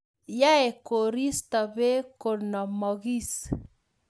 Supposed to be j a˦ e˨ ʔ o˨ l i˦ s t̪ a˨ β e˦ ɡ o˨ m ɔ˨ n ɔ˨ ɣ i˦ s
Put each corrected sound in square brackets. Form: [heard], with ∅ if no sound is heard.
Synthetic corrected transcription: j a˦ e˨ [k] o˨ [ɾ] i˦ s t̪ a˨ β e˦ [k] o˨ [n] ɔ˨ [m] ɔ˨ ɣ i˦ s